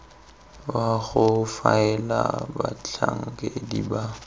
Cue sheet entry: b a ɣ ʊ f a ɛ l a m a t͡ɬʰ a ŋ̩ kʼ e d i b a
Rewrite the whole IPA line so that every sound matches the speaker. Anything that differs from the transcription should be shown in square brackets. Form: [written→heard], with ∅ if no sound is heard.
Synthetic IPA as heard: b a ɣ ʊ f a ɛ l a [m→b] a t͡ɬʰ a ŋ̩ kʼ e d i b a